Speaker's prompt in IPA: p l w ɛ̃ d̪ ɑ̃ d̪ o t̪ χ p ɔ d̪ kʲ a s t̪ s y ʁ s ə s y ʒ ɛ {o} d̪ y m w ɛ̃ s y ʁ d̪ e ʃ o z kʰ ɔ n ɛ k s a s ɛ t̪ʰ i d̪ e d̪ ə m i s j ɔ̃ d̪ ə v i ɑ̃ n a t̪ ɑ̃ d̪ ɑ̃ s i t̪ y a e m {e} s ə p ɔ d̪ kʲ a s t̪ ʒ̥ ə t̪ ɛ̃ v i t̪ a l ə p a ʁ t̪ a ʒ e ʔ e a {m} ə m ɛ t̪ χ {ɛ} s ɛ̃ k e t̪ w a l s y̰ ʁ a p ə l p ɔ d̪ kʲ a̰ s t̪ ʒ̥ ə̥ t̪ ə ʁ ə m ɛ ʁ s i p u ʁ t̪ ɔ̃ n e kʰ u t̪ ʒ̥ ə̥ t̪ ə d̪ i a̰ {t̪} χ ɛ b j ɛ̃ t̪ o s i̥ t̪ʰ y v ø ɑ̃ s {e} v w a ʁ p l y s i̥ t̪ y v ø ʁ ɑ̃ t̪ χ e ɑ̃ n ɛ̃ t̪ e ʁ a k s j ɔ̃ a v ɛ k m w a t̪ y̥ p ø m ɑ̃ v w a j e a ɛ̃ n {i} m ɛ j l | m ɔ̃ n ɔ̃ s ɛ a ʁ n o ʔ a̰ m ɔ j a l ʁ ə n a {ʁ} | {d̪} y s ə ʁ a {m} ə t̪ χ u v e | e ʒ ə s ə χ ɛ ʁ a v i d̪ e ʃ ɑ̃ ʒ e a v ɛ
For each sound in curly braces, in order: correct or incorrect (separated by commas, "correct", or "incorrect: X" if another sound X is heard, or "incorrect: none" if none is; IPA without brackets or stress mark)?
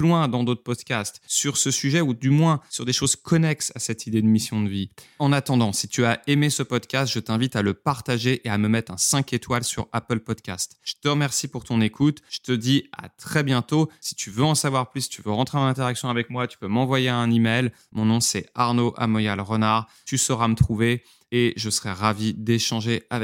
incorrect: u, correct, correct, incorrect: ɛ̃, correct, incorrect: a, correct, correct, incorrect: t̪, correct